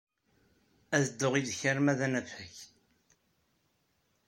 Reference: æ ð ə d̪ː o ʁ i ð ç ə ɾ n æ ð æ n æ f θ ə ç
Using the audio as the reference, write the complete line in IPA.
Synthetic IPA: æ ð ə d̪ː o ʁ i ð ç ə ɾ m æ ð æ n æ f h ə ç